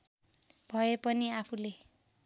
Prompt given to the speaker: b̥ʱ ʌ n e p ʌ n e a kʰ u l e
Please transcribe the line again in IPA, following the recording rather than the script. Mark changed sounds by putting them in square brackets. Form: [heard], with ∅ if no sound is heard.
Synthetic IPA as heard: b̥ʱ ʌ [∅] e p ʌ n [i] a [pʰ] u l e